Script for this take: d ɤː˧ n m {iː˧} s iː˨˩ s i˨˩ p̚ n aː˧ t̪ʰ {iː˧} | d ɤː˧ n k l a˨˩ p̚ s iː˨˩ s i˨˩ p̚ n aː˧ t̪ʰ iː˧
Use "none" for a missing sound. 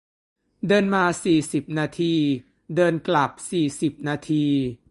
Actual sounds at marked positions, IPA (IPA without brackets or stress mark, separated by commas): aː˧, iː˧